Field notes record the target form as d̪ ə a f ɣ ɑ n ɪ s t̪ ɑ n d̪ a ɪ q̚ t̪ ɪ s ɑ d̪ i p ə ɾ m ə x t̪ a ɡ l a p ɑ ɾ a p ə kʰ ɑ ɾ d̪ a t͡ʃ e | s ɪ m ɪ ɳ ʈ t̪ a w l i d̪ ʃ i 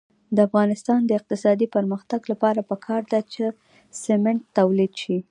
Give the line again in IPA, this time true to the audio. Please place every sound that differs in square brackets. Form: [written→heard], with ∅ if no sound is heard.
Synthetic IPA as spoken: d̪ ə a f ɣ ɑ n ɪ s t̪ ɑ n d̪ [a→ə] ɪ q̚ t̪ ɪ s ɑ d̪ i p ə ɾ m ə x t̪ a ɡ l a p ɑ ɾ a p ə kʰ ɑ ɾ d̪ a t͡ʃ e | s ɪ m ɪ ɳ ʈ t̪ a w l i d̪ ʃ i